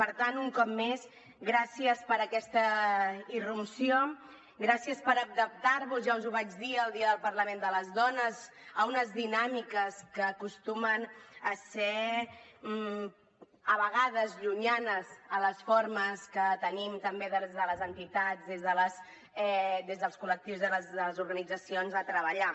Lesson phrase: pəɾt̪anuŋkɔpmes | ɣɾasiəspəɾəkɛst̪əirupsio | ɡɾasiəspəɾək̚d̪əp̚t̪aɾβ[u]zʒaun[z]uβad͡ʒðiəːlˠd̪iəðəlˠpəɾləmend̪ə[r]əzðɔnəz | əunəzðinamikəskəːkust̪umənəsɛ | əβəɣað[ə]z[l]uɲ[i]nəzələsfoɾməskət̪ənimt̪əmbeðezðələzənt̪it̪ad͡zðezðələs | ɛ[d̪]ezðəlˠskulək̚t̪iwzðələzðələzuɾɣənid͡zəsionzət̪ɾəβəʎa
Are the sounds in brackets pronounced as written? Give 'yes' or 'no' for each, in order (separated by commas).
yes, yes, no, yes, no, no, yes